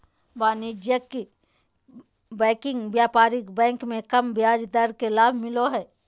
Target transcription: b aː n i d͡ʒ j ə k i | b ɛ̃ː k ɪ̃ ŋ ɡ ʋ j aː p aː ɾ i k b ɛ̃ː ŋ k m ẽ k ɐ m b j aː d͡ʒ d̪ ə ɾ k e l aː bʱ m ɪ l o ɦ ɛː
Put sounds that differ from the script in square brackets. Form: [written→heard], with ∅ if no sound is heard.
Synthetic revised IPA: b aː n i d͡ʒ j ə k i | b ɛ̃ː k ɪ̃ ŋ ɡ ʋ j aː p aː ɾ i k b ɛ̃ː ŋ k m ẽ k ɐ m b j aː d͡ʒ d̪ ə ɾ k e l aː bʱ m ɪ l o ɦ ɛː

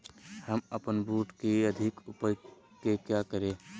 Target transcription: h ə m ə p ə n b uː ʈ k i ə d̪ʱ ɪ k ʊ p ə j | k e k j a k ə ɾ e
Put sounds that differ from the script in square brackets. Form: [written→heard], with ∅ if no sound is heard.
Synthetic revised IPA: h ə m ə p ə n b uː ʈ k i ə d̪ʱ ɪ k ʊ p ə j | k e k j a k ə ɾ e

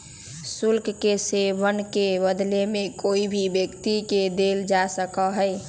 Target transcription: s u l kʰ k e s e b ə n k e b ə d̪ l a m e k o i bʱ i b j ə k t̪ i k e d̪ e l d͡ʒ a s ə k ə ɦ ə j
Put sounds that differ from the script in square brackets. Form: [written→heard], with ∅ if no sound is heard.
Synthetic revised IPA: s u l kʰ k e s e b ə n k e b ə d̪ l [a→e] m e k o i bʱ i b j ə k t̪ i k e d̪ e l d͡ʒ a s ə k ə ɦ ə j

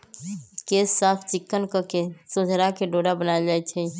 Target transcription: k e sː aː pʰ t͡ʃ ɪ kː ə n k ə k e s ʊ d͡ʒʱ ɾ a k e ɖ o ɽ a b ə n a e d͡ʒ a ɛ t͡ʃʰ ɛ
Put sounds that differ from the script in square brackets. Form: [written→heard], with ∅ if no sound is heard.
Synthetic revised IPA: k e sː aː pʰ t͡ʃ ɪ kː ə n k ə k e s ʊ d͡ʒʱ ɾ a k e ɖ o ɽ a b ə n a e d͡ʒ a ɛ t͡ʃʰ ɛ

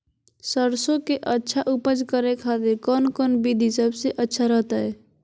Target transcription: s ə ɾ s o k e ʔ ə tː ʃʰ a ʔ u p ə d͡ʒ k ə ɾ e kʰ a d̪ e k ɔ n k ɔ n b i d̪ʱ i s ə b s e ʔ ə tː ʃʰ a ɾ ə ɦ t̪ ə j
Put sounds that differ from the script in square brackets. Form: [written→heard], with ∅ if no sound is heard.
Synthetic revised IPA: s ə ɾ s o k e ʔ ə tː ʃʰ a ʔ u p ə d͡ʒ k ə ɾ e kʰ a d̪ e k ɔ n k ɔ n b i d̪ʱ i s ə b s e ʔ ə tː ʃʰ a ɾ ə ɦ t̪ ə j

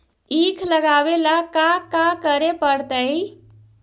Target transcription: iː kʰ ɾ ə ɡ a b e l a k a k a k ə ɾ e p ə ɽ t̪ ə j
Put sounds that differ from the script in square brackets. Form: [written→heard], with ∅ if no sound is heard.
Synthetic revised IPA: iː kʰ [ɾ→l] ə ɡ a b e l a k a k a k ə ɾ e p ə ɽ t̪ ə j

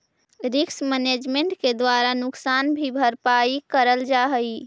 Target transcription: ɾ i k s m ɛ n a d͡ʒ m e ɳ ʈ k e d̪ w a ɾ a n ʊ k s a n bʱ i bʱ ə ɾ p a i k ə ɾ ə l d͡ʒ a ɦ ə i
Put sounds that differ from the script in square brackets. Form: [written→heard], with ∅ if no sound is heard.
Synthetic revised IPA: ɾ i k s m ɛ n [a→e] d͡ʒ m e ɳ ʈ k e d̪ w a ɾ a n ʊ k s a n bʱ i bʱ ə ɾ p a i k ə ɾ ə l d͡ʒ a ɦ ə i

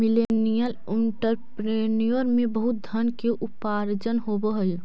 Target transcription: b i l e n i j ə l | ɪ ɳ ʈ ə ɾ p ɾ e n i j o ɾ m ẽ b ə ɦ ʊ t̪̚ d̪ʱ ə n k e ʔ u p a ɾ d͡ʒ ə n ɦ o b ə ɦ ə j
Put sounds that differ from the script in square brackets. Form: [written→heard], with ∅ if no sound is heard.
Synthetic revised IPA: [b→m] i l e n i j ə l | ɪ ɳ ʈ ə ɾ p ɾ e n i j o ɾ m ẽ b ə ɦ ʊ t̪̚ d̪ʱ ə n k e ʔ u p a ɾ d͡ʒ ə n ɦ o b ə ɦ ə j

